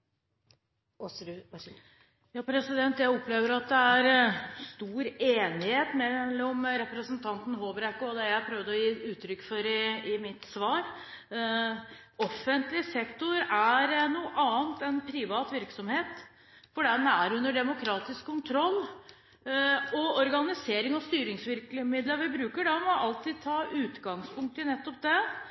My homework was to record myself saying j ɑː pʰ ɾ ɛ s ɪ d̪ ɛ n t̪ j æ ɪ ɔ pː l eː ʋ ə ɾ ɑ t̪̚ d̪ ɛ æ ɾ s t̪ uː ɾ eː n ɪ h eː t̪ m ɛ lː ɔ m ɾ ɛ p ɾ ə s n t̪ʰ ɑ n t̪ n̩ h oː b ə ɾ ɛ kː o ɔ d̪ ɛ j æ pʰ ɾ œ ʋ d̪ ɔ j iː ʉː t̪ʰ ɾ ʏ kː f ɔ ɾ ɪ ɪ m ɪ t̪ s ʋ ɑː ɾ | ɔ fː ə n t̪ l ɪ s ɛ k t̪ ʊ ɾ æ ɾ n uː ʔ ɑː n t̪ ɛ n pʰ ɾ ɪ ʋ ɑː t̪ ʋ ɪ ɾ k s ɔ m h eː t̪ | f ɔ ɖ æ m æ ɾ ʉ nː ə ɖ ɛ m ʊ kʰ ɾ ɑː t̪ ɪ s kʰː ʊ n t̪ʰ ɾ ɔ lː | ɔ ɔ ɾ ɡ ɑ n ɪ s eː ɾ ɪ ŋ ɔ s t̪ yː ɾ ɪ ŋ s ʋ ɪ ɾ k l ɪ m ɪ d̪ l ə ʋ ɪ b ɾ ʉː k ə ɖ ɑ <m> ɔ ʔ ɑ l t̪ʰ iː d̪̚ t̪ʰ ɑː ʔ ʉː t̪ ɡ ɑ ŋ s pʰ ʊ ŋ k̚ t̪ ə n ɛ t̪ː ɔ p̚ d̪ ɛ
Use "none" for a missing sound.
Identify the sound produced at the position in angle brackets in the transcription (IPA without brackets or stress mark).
m